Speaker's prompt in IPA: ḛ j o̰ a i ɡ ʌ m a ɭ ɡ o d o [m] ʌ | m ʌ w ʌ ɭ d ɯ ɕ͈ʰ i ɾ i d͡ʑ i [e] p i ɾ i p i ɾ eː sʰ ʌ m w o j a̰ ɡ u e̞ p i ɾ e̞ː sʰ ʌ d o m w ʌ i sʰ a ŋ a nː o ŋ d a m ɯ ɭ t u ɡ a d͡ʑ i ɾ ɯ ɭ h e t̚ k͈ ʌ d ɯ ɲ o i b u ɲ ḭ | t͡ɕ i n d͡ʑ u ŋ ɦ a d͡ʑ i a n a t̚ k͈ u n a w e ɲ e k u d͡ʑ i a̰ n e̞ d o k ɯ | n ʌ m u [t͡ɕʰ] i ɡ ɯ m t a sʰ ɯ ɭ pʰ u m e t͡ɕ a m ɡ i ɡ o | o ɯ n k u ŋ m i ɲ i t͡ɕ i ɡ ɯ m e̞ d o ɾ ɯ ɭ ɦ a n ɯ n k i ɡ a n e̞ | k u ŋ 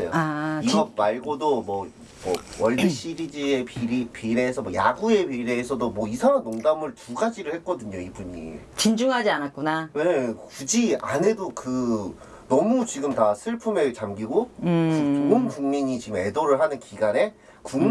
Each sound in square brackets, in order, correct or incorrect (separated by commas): correct, correct, incorrect